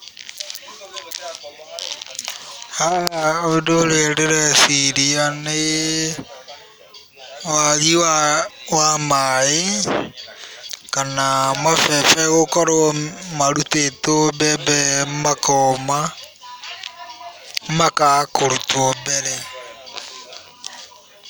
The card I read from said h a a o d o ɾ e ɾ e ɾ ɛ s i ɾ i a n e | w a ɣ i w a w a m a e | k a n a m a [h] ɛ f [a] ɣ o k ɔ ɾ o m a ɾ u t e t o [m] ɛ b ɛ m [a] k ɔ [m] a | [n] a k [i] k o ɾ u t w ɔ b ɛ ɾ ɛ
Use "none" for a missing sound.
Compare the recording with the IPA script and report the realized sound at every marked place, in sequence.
f, ɛ, b, a, m, m, a

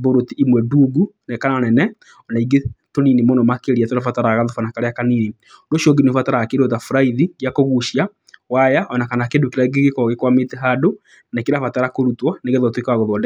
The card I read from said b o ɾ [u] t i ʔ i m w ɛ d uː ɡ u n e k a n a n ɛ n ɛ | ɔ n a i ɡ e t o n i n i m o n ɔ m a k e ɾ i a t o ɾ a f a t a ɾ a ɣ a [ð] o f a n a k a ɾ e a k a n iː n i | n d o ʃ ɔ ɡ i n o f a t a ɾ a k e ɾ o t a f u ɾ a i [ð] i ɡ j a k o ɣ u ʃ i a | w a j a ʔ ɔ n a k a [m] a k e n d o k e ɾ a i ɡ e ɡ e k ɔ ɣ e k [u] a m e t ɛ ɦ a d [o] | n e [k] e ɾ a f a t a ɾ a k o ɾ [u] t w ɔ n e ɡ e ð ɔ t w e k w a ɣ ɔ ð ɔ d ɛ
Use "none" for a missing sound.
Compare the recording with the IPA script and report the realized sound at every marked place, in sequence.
o, ð, ð, n, w, o, k, u

